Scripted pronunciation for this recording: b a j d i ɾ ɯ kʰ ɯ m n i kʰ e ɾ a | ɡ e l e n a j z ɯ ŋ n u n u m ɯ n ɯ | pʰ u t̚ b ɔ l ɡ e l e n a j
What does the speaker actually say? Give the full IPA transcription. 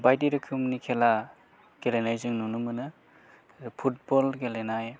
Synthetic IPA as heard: b a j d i ɾ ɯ kʰ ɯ m n i kʰ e l a | ɡ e l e n a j z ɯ ŋ n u n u m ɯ n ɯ | pʰ u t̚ b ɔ l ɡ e l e n a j